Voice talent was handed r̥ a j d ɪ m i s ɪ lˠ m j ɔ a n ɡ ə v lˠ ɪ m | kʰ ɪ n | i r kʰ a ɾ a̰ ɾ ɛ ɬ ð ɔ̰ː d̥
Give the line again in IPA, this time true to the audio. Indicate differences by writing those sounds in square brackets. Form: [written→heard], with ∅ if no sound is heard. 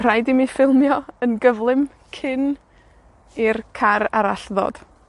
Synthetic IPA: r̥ a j d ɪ m i [s→f] ɪ lˠ m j ɔ [a→ə] n ɡ ə v lˠ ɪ m | kʰ ɪ n | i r kʰ a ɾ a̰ ɾ [ɛ→a] ɬ ð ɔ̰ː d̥